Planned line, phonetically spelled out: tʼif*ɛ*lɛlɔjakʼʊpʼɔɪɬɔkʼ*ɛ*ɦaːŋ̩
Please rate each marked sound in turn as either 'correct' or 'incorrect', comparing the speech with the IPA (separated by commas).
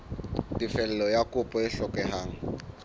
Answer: correct, correct